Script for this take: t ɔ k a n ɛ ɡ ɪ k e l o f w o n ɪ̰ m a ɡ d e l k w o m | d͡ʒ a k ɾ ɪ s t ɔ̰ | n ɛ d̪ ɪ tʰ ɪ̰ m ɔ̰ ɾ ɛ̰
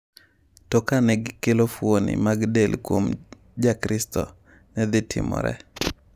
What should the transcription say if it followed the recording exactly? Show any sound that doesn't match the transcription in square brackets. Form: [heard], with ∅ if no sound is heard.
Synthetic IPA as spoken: t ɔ k a n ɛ ɡ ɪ k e l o f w o n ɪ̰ m a ɡ d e l k w o m | d͡ʒ a k ɾ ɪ s t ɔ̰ | n ɛ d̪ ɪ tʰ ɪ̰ m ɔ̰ ɾ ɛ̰